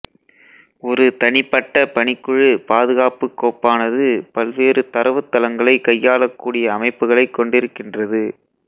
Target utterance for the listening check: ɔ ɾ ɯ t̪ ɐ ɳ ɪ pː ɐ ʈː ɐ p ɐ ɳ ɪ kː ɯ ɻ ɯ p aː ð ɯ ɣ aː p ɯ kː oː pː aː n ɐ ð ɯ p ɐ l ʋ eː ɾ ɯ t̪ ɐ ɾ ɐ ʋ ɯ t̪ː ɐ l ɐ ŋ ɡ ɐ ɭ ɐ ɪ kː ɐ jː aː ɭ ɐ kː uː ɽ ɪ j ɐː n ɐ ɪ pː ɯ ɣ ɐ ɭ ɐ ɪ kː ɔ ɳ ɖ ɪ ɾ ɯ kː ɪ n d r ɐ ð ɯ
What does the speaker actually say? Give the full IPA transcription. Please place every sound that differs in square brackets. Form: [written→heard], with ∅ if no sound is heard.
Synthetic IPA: ɔ ɾ ɯ t̪ ɐ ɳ ɪ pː ɐ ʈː ɐ p ɐ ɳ ɪ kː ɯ ɻ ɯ p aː ð ɯ ɣ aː p ɯ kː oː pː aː n ɐ ð ɯ p ɐ l ʋ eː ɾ ɯ t̪ ɐ ɾ ɐ ʋ ɯ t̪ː ɐ l ɐ ŋ ɡ ɐ ɭ ɐ ɪ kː ɐ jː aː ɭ ɐ kː uː ɽ ɪ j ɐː [n→m] ɐ ɪ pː ɯ ɣ ɐ ɭ ɐ ɪ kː ɔ ɳ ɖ ɪ ɾ ɯ kː ɪ n d r ɐ ð ɯ